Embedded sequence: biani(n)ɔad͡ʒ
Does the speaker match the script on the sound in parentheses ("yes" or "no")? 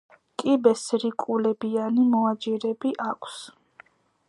no